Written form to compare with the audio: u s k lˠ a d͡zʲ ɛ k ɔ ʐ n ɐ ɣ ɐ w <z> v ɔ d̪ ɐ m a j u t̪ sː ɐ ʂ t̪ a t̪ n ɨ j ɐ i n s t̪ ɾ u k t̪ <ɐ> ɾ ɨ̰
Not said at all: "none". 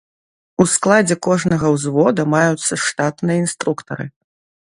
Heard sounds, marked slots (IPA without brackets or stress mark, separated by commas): z, ɐ